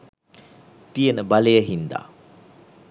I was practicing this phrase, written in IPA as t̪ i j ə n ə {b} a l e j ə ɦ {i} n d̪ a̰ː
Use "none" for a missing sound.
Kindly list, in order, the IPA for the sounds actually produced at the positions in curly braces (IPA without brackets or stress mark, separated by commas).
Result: b, i